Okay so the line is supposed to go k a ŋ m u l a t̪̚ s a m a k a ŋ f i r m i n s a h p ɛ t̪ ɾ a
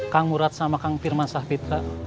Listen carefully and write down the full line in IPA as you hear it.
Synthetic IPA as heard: k a ŋ m u ɾ a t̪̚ s a m a k a ŋ f i r m a n s a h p i t̪ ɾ a